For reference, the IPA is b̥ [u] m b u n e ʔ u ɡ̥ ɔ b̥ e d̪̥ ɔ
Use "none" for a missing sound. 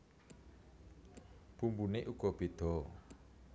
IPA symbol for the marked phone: u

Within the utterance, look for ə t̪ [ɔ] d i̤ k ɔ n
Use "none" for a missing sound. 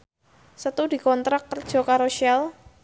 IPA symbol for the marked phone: u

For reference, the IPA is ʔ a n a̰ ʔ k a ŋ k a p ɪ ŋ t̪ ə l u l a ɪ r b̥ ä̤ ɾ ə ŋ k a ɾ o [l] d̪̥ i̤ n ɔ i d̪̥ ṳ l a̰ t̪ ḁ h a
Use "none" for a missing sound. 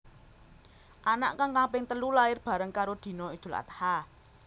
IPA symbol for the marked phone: none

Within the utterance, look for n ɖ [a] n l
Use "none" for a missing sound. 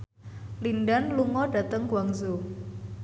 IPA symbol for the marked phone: a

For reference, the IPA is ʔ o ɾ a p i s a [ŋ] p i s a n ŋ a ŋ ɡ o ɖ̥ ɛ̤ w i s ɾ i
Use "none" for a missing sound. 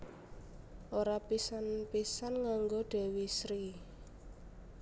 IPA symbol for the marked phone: n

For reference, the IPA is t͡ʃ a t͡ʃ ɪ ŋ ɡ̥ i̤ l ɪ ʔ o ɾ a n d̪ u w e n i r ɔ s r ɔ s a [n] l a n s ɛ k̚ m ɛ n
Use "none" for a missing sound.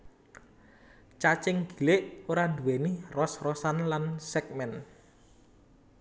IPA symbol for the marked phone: n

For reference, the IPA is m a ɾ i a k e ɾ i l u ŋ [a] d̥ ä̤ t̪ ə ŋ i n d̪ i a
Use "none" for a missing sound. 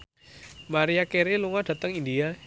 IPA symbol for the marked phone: a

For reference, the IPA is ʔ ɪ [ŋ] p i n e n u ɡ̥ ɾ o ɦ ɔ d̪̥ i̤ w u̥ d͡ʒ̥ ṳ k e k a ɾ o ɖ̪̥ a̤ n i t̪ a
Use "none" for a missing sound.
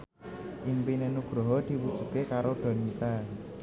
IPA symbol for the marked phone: ŋ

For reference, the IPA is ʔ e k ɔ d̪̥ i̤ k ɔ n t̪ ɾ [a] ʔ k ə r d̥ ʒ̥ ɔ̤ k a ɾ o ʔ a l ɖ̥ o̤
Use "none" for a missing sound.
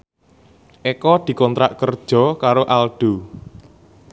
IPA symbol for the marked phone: a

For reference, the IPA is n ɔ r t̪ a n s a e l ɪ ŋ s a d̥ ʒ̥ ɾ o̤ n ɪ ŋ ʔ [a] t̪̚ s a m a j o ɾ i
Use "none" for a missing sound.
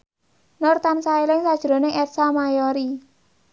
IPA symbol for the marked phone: ɛ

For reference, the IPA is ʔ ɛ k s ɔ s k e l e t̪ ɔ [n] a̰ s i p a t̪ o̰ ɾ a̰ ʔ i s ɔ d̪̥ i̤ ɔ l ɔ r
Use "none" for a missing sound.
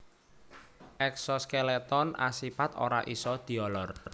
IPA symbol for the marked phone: n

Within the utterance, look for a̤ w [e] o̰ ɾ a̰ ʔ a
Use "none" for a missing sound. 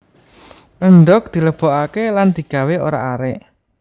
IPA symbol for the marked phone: e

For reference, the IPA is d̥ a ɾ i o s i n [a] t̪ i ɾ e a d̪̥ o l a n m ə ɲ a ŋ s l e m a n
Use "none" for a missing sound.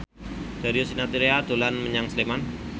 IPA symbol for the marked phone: a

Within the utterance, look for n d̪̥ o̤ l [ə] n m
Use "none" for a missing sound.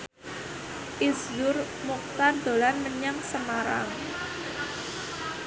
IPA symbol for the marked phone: a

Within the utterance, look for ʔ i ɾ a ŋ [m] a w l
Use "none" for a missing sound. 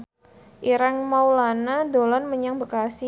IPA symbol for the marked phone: m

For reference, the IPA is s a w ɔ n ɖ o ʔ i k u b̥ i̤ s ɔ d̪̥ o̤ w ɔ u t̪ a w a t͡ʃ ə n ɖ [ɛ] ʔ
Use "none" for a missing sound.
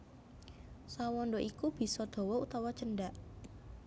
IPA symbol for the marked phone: a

